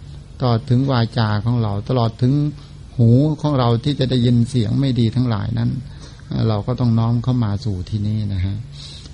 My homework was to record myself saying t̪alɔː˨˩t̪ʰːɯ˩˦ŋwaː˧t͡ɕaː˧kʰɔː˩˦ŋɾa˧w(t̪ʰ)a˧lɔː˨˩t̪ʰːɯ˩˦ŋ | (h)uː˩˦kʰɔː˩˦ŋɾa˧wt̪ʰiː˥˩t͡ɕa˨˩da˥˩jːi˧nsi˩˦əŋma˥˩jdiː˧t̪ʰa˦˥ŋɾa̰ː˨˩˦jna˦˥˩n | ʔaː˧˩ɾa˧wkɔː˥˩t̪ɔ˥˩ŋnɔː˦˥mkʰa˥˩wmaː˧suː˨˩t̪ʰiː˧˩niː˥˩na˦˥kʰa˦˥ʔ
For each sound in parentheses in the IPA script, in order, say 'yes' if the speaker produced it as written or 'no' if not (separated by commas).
no, yes